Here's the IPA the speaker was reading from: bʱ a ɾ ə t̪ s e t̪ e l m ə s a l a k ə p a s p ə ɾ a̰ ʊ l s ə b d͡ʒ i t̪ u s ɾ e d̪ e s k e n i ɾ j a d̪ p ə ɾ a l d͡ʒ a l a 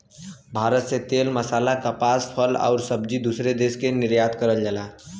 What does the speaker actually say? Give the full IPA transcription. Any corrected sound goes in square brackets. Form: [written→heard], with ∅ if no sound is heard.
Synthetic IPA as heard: bʱ a ɾ ə t̪ s e t̪ e l m ə s a l a k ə p a s [p→pʰ] ə [ɾ→l] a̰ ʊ [l→ɾ] s ə b d͡ʒ i [t̪→d̪] u s ɾ e d̪ e s k e n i ɾ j a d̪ [p→k] ə ɾ [a→ə] l d͡ʒ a l a